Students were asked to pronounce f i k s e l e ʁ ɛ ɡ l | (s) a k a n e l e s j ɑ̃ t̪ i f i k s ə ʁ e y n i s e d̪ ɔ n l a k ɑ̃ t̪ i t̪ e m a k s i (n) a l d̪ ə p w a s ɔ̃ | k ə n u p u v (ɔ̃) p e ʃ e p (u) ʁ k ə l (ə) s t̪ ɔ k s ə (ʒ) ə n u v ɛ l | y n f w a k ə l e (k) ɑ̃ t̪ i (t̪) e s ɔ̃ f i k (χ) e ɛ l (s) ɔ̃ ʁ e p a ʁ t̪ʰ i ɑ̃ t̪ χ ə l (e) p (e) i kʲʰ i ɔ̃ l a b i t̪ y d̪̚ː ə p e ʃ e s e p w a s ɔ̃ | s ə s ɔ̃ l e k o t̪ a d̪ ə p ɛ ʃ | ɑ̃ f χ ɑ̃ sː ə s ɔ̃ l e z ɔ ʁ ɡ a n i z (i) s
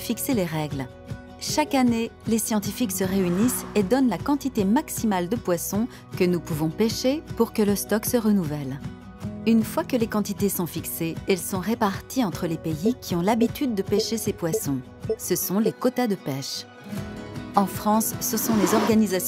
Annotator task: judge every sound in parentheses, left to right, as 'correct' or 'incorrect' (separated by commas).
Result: incorrect, incorrect, correct, correct, correct, incorrect, correct, correct, incorrect, correct, correct, correct, incorrect